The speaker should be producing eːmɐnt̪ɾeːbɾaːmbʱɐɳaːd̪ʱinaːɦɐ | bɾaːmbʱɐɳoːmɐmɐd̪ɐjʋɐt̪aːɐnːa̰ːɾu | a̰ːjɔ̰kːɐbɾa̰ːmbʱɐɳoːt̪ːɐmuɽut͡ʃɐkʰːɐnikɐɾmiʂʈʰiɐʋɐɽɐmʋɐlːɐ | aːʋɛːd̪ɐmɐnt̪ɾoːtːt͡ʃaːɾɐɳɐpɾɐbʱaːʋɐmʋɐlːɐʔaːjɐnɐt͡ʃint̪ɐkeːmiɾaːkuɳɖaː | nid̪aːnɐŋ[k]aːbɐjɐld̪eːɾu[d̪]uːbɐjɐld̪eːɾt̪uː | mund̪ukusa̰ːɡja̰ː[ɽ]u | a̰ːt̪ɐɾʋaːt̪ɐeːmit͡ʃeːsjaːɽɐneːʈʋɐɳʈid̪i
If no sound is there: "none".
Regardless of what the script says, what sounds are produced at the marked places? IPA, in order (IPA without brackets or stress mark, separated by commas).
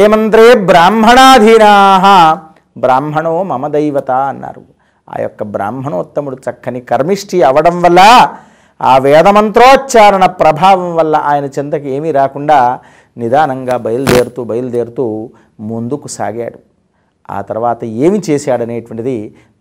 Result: ɡ, t̪, ɽ